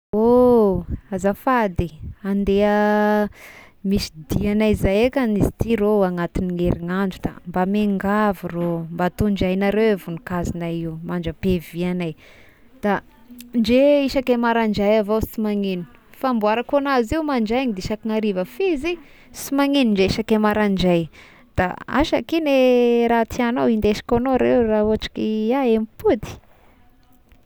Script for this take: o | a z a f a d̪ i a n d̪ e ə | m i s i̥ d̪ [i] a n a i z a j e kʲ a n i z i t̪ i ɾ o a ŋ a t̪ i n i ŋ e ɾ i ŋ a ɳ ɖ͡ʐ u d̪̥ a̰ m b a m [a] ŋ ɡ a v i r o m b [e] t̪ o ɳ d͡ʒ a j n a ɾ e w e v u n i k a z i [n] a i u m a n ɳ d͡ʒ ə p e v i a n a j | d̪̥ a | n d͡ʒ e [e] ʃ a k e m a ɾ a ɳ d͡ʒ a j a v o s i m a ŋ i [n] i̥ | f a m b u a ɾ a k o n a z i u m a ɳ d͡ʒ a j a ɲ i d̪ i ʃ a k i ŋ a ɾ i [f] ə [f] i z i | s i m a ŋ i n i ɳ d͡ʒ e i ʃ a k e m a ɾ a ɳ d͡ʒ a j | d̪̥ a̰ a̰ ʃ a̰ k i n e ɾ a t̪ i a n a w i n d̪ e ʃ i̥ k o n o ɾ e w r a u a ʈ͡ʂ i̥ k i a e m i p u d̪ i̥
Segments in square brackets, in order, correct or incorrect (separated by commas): correct, incorrect, incorrect, correct, incorrect, correct, incorrect, correct